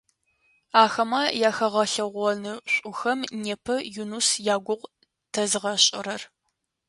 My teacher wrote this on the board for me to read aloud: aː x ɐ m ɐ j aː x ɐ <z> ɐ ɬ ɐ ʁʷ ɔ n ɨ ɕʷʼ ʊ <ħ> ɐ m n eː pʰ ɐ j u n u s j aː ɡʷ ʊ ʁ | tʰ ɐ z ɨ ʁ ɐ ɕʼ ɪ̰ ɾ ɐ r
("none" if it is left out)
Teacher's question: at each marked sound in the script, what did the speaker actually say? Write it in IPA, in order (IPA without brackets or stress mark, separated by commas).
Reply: ʁ, x